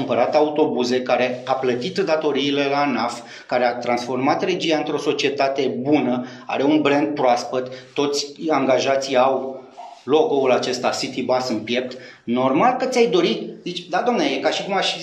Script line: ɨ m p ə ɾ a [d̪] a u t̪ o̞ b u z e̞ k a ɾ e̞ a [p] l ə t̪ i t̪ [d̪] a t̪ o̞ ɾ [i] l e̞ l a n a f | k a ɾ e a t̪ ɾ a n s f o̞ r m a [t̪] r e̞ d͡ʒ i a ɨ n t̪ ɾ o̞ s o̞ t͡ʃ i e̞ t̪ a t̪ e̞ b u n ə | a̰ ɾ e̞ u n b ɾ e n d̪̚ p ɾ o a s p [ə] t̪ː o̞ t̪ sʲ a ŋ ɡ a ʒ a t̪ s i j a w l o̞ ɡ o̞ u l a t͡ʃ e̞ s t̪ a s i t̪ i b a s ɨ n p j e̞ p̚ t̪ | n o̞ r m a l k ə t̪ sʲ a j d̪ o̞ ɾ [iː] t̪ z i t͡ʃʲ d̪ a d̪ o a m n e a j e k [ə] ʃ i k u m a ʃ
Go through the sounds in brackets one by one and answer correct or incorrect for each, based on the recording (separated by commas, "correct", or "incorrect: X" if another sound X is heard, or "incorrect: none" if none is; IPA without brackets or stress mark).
incorrect: t̪, correct, correct, incorrect: iː, correct, correct, incorrect: i, incorrect: a